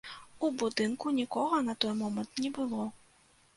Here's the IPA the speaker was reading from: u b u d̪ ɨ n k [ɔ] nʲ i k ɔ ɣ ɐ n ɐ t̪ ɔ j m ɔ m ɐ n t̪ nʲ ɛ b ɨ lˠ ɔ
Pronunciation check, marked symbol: incorrect: u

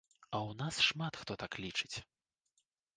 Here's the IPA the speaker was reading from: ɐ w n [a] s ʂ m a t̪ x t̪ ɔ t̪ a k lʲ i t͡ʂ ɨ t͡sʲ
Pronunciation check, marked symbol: correct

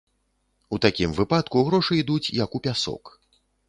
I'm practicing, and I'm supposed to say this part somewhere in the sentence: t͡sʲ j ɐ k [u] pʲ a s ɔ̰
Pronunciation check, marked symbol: correct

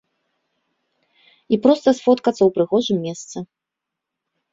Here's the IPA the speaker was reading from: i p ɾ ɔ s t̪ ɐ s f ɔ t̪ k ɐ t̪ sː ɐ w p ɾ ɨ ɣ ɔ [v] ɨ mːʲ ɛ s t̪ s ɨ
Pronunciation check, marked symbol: incorrect: ʐ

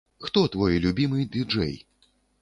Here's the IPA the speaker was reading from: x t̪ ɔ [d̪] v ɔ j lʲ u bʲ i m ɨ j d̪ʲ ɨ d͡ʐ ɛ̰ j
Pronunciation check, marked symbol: incorrect: t̪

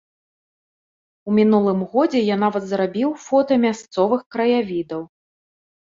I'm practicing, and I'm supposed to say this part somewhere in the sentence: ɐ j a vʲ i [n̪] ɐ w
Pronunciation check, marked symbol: incorrect: d̪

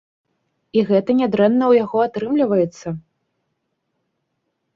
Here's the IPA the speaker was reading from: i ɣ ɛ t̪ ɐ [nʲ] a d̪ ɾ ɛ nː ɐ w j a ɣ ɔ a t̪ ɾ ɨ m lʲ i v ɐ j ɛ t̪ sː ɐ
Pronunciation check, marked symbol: correct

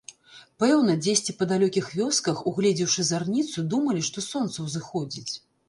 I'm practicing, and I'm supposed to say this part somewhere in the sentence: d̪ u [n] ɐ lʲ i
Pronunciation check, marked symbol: incorrect: m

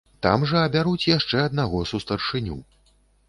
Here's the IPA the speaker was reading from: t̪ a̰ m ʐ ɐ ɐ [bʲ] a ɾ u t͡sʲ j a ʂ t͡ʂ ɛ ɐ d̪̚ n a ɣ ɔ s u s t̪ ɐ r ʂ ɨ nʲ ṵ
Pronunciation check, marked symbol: correct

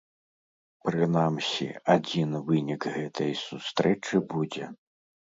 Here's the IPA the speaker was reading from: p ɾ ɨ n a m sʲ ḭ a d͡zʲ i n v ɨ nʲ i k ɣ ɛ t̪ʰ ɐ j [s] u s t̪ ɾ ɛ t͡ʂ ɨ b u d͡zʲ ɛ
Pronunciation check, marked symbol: correct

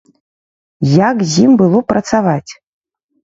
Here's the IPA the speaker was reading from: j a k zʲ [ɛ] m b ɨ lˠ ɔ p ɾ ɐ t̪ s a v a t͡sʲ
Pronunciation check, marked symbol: incorrect: i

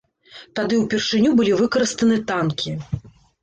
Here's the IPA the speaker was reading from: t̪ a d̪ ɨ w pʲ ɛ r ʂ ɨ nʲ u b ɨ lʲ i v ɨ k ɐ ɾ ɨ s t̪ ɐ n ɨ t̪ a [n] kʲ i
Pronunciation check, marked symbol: correct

